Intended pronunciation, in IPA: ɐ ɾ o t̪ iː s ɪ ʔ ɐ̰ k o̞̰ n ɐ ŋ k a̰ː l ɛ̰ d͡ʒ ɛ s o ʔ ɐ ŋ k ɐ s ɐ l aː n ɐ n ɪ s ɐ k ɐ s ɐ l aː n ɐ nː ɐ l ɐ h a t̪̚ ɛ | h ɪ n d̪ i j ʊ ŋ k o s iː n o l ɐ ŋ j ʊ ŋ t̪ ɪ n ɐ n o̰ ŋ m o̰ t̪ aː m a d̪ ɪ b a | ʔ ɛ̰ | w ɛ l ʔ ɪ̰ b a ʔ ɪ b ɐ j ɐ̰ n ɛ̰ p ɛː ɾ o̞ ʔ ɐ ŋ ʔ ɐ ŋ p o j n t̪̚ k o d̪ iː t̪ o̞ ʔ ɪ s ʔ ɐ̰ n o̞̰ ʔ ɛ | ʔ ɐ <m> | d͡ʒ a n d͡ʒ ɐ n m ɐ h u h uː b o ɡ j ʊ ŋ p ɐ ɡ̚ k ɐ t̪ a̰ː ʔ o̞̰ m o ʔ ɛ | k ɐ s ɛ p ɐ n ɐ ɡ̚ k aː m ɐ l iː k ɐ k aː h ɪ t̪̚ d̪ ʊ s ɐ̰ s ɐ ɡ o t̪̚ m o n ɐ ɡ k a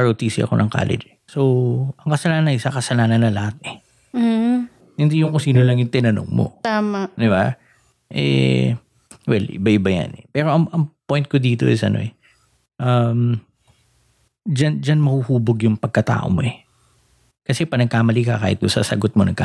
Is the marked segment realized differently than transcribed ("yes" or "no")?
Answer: no